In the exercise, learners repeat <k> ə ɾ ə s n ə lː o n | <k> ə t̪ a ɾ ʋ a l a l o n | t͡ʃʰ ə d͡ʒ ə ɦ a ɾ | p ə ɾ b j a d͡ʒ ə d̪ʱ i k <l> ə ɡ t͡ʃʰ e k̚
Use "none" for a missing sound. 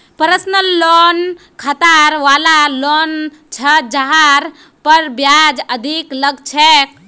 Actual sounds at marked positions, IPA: p, kʰ, l

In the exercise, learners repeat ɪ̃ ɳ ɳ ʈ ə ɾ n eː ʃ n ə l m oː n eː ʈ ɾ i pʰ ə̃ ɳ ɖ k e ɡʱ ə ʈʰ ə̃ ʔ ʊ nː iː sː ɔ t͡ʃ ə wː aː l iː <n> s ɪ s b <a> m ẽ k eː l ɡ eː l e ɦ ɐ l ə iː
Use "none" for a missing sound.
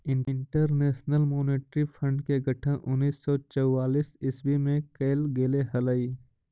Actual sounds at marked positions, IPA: none, i

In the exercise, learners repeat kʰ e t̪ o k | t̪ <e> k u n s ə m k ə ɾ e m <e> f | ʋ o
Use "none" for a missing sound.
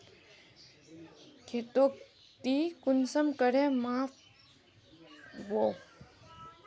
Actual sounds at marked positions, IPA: i, a

